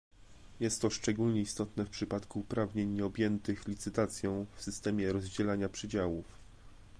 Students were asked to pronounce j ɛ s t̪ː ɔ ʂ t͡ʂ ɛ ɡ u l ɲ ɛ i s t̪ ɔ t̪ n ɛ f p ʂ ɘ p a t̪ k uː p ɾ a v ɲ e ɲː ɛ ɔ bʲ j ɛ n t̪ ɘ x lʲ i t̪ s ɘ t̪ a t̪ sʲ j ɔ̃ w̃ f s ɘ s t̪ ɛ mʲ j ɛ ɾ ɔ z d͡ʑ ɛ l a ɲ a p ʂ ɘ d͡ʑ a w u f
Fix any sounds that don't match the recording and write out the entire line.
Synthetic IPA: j ɛ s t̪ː ɔ ʂ t͡ʂ ɛ ɡ u l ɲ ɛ i s t̪ ɔ t̪ n ɛ f p ʂ ɘ p a t̪ k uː p ɾ a v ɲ e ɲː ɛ ɔ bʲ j ɛ n t̪ ɘ x lʲ i t̪ s ɘ t̪ a t̪ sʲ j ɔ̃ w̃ f s ɘ s t̪ ɛ mʲ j ɛ ɾ ɔ z d͡ʑ ɛ l a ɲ a p ʂ ɘ d͡ʑ a w u f